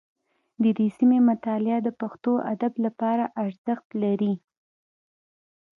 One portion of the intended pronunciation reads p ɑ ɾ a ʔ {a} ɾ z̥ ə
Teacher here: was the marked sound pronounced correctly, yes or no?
yes